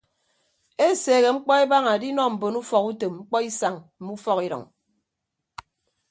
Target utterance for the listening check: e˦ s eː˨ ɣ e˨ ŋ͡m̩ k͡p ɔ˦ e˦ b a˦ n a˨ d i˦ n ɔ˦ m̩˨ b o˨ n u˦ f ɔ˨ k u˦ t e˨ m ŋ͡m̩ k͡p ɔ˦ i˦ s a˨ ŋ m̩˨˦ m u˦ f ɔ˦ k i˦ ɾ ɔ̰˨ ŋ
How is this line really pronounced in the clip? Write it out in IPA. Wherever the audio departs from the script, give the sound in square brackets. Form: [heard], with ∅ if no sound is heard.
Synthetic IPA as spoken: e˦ s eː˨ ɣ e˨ ŋ͡m̩ k͡p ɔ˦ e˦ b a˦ [ŋ] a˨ d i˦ n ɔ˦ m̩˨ b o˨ n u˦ f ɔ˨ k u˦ t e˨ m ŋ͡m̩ k͡p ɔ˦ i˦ s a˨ ŋ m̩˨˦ m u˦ f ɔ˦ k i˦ ɾ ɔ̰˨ ŋ